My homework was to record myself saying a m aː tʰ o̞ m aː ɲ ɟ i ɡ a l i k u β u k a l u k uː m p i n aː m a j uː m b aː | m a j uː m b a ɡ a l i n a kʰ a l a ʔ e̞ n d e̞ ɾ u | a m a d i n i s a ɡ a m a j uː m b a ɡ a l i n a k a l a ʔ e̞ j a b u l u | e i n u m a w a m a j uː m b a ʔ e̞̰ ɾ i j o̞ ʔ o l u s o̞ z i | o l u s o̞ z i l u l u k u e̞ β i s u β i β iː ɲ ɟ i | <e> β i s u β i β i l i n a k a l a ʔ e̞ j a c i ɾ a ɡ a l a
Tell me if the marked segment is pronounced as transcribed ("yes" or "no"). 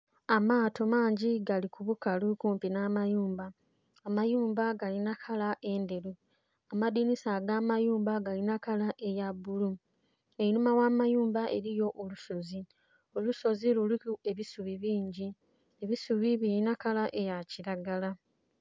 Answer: yes